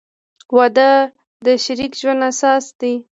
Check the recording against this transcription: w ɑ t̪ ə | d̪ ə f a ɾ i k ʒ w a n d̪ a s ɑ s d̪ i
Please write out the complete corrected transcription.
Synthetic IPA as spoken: w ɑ d̪ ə | d̪ ə ʃ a ɾ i k ʒ w a n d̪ a s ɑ s d̪ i